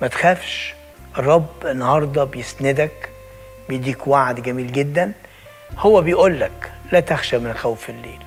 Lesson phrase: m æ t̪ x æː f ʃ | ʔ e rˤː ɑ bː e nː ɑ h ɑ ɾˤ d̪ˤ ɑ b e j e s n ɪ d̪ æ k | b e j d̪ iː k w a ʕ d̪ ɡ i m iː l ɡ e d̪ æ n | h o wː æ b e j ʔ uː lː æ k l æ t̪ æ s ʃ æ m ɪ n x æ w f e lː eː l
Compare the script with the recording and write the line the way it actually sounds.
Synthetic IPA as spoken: m æ t̪ x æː f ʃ | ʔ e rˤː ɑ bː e nː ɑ h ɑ ɾˤ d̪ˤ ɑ b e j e s n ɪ d̪ æ k | b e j d̪ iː k w a ʕ d̪ ɡ æ m iː l ɡ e d̪ː æ n | h o wː æ b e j ʔ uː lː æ k l æ t̪ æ x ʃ æ m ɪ n x æ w f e lː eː l